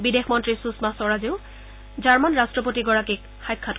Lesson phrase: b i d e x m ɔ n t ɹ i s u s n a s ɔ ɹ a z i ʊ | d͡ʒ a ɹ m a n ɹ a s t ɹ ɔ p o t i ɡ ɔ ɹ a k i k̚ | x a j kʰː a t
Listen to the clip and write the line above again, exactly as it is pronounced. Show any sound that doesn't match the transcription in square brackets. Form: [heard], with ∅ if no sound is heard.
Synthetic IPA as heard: b i d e x m ɔ n t ɹ i s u s [m] a s ɔ ɹ a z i ʊ | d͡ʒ a ɹ m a n ɹ a s t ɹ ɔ p o t i ɡ ɔ ɹ a k i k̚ | x a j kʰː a t

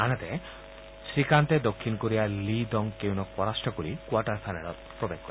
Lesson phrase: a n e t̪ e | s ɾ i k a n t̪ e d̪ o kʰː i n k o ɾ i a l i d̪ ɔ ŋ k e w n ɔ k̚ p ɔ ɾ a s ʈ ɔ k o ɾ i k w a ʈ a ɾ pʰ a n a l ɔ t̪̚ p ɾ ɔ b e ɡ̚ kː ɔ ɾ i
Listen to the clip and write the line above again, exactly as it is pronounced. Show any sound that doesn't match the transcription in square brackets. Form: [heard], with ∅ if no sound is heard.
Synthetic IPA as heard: a n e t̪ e | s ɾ i k a n t̪ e d̪ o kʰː i n k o ɾ i a l i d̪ ɔ ŋ k e w n ɔ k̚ p ɔ ɾ a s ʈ ɔ k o ɾ i k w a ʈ a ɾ pʰ a n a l ɔ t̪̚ p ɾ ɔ b e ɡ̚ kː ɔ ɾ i

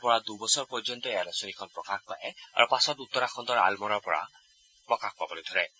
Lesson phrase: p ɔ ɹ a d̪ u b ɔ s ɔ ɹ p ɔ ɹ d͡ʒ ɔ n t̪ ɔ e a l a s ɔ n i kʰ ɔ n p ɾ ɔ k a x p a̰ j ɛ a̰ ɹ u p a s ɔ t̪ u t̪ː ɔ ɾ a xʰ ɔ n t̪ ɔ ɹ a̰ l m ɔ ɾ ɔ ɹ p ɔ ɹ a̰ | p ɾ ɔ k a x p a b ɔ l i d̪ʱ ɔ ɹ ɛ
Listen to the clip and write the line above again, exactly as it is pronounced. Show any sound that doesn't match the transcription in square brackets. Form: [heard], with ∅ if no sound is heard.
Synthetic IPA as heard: p ɔ ɹ a d̪ u b ɔ s ɔ ɹ p ɔ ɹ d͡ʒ ɔ n t̪ ɔ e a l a s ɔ n i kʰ ɔ n p [ɹ] ɔ k a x p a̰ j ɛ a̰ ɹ u p a s ɔ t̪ u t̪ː ɔ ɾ a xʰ ɔ n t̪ ɔ ɹ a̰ l m ɔ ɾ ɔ ɹ p ɔ ɹ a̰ | p [ɹ] ɔ k a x p a b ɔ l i d̪ʱ ɔ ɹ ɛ

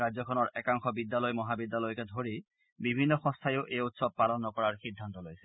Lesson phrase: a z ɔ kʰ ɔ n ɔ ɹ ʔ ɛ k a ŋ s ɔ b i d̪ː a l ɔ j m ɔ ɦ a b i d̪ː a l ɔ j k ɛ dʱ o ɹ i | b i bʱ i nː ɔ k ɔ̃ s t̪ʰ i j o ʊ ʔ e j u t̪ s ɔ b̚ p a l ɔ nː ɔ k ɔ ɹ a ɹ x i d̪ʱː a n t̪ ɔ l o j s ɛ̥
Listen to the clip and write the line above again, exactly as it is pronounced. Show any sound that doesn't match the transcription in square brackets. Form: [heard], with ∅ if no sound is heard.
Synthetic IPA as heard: a z ɔ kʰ ɔ n ɔ ɹ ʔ ɛ k a ŋ [x] ɔ b i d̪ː a l ɔ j m ɔ ɦ a b i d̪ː a l ɔ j k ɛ dʱ o ɹ i | b i bʱ i nː ɔ [x] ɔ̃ s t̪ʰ [a] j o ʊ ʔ e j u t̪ s ɔ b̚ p a l ɔ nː ɔ k ɔ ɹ a ɹ x i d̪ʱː a n t̪ ɔ l o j s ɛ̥

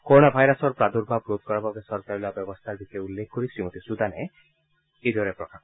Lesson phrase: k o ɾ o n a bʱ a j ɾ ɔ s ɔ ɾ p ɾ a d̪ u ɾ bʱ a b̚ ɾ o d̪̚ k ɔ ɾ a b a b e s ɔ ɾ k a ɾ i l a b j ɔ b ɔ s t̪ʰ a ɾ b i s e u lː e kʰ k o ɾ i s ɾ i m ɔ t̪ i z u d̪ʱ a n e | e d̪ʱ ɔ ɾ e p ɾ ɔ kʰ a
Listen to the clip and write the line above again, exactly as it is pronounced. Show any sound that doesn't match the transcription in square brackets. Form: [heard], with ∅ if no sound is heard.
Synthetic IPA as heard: k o ɾ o n a bʱ a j ɾ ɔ s ɔ ɾ p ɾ a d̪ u ɾ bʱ a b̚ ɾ o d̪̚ k ɔ ɾ a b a b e s ɔ ɾ k a ɾ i l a b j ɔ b ɔ s t̪ʰ a ɾ b i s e u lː e kʰ k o ɾ i s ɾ i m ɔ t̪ i [s] u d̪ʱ a n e | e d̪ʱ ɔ ɾ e p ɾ ɔ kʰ a

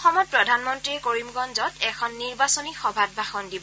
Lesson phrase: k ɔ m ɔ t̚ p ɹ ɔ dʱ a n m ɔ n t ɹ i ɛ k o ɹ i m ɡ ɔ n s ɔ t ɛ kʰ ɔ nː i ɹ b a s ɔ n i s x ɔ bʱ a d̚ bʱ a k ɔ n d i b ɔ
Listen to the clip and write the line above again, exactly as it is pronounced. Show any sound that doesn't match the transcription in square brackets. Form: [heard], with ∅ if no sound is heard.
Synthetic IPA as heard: [x] ɔ m ɔ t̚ p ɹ ɔ dʱ a n m ɔ n t ɹ i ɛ k o ɹ i m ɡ ɔ n [z] ɔ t ɛ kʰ ɔ nː i ɹ b a s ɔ n i [∅] x ɔ bʱ a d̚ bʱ a [x] ɔ n d i b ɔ

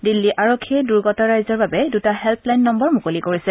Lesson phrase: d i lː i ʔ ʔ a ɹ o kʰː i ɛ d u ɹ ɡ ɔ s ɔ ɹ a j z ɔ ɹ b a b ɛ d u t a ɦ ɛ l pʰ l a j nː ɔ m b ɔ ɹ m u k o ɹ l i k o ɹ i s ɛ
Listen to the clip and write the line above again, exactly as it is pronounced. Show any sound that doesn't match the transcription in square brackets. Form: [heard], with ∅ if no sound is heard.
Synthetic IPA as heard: d i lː i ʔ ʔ a ɹ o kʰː i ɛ d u ɹ ɡ ɔ [t] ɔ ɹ a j z ɔ ɹ b a b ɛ d u t a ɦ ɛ l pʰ l a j nː ɔ m b ɔ ɹ m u k o [∅] l i k o ɹ i s ɛ

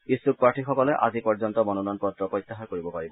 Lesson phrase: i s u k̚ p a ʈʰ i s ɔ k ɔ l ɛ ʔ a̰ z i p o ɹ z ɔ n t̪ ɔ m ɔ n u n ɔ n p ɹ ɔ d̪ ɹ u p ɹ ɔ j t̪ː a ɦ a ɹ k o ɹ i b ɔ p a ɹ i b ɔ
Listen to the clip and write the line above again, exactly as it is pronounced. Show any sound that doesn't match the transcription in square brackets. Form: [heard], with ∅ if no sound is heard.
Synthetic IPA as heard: i s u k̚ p a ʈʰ i [x] ɔ k ɔ l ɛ ʔ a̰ z i p [ɔ] ɹ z ɔ n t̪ ɔ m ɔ n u n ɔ n p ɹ ɔ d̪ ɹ [ɔ] p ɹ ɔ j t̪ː a ɦ a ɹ k o ɹ i b ɔ p a ɹ i b ɔ

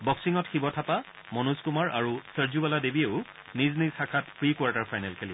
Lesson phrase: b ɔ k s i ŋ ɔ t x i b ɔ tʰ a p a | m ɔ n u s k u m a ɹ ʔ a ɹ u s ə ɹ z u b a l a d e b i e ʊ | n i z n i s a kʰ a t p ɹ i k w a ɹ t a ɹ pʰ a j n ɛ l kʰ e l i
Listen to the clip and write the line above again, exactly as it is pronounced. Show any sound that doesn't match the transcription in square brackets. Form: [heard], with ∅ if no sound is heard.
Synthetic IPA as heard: b ɔ k s i ŋ ɔ t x i b ɔ tʰ a p a | m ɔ n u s k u m a ɹ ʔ a ɹ u s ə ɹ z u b a l a d e b i e ʊ | n i z n i s a kʰ a t p ɹ i k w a ɹ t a ɹ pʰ a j n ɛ l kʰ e l i

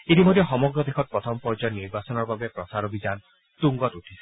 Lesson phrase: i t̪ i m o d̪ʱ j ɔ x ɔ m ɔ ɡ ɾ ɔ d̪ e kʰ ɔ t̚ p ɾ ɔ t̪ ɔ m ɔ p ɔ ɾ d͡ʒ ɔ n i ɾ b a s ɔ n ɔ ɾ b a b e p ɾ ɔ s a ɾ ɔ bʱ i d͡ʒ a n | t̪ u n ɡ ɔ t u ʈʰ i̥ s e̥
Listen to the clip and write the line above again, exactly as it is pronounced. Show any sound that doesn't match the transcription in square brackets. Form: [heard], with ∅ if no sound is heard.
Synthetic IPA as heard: i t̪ i m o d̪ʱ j ɔ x ɔ m ɔ ɡ ɾ ɔ d̪ e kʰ ɔ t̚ p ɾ ɔ [t̪ʰ] ɔ m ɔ p ɔ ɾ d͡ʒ ɔ n i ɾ b a s ɔ n ɔ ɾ b a b e p ɾ ɔ s a ɾ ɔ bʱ i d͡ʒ a n | t̪ u [ŋ] ɡ ɔ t u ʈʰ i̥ s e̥

